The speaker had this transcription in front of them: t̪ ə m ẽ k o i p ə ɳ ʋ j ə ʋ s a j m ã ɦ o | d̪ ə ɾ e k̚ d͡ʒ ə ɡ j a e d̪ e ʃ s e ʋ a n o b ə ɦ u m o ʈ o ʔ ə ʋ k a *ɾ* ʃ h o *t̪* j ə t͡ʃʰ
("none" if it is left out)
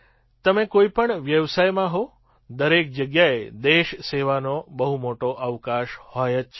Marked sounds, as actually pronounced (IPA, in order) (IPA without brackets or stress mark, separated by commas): none, none